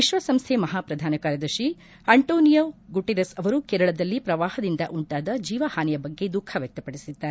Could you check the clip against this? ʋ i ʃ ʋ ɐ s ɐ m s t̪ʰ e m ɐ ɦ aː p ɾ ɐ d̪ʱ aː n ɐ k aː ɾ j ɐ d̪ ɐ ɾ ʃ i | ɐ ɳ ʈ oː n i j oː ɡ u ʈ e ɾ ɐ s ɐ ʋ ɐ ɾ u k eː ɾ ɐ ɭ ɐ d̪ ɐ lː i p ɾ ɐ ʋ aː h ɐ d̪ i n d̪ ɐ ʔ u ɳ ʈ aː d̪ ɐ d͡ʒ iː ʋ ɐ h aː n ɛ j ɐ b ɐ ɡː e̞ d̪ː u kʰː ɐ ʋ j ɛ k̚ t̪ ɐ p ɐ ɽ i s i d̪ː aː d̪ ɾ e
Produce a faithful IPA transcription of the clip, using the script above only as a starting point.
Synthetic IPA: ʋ i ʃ ʋ ɐ s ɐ m s t̪ʰ e m ɐ ɦ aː p ɾ ɐ d̪ʱ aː n ɐ k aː ɾ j ɐ d̪ ɐ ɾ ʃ i | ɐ ɳ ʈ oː n i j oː ɡ u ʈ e ɾ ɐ s ɐ ʋ ɐ ɾ u k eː ɾ ɐ ɭ ɐ d̪ ɐ lː i p ɾ ɐ ʋ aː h ɐ d̪ i n d̪ ɐ ʔ u ɳ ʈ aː d̪ ɐ d͡ʒ iː ʋ ɐ h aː n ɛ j ɐ b ɐ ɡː e̞ d̪ u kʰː ɐ ʋ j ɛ k̚ t̪ ɐ p ɐ ɽ i s i d̪ː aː ɾ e